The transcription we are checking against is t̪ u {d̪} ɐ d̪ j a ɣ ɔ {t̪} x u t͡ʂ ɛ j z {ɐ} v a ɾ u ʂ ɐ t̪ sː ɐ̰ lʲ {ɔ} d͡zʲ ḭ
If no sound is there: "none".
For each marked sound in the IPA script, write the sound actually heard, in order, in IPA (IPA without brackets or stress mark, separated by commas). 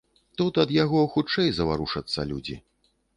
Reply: t̪, none, ɐ, u